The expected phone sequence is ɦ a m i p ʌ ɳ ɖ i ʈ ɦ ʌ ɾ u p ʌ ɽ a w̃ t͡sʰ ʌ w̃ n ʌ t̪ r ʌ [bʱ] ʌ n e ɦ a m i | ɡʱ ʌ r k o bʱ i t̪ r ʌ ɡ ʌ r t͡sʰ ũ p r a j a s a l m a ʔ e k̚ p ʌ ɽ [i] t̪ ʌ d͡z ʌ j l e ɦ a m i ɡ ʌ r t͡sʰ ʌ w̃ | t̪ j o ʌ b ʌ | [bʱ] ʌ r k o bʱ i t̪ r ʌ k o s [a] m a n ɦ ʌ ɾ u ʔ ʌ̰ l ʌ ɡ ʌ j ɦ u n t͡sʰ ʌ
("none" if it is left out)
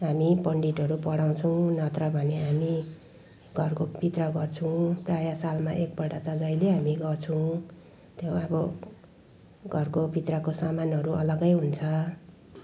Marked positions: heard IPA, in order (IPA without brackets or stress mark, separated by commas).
bʱ, a, ɡʱ, a